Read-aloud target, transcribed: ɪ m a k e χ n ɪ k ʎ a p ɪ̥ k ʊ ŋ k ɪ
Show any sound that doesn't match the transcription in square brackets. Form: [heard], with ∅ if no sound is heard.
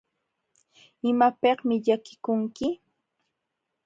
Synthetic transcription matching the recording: ɪ m a [p] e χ [m] ɪ [∅] ʎ a [k] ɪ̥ k ʊ ŋ k ɪ